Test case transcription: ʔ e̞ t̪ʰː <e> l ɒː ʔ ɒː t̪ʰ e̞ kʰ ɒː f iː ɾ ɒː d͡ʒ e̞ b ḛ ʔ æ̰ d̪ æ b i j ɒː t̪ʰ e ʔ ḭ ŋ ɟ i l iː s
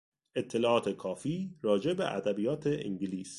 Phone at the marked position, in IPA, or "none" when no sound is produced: e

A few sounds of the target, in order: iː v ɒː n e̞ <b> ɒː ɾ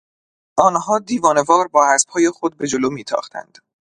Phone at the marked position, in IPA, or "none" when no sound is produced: v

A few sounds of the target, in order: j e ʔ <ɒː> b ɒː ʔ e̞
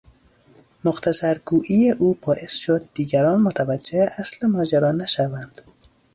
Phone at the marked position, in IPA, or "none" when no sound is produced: uː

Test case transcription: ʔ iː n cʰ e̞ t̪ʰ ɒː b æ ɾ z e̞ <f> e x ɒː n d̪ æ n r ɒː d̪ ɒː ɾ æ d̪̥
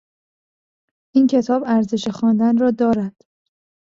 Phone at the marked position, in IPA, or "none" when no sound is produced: ʃ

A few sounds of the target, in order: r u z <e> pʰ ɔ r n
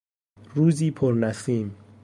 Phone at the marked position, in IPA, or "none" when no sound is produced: i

